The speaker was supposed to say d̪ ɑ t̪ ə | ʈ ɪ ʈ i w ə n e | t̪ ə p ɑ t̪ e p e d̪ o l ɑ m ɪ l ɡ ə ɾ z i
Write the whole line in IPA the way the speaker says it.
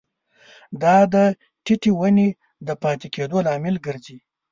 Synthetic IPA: d̪ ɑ d̪ ə | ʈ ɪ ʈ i w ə n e | d̪ ə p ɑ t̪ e k e d̪ o l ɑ m ɪ l ɡ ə ɾ z i